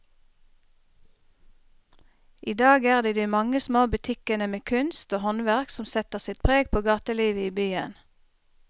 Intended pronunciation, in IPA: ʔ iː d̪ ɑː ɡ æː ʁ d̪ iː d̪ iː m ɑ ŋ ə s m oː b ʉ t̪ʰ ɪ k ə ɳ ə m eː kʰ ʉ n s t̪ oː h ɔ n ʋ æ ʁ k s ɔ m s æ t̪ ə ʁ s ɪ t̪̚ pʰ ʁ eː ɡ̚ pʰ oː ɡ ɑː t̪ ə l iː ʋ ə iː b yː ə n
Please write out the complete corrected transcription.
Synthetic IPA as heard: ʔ iː d̪ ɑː ɡ æː ʁ d̪ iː d̪ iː m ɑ ŋ ə s m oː b ʉ t̪ʰ ɪ k ə n ə m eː kʰ ʉ n s t̪ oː h ɔ n ʋ æ ʁ k s ɔ m s ɛ t̪ ə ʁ s ɪ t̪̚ pʰ ʁ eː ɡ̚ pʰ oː ɡ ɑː t̪ ə l iː ʋ ə iː b yː ə n